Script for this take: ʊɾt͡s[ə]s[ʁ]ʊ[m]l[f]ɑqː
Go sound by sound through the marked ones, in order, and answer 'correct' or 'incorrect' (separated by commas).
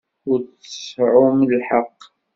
correct, incorrect, correct, incorrect